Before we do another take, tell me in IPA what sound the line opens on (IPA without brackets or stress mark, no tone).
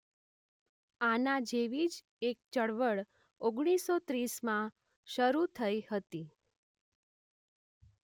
a